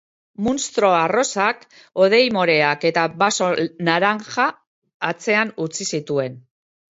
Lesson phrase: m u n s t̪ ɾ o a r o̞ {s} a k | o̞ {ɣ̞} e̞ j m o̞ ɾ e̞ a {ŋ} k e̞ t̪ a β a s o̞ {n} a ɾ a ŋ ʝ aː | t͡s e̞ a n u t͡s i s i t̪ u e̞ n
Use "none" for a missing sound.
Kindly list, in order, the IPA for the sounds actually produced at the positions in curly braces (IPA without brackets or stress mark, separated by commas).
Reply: s, ð̞, none, n